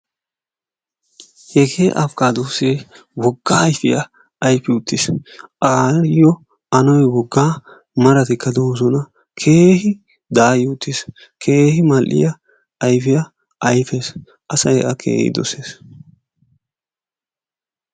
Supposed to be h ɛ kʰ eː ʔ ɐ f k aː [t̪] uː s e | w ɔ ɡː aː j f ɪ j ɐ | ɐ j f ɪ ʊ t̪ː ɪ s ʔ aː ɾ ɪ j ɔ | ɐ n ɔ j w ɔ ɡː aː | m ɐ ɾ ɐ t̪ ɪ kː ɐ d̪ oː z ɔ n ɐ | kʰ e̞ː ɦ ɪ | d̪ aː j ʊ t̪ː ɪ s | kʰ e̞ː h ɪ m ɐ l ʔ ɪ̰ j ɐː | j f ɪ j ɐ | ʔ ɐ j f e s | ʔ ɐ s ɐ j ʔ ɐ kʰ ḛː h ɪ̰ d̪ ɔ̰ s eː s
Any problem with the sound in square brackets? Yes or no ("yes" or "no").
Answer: yes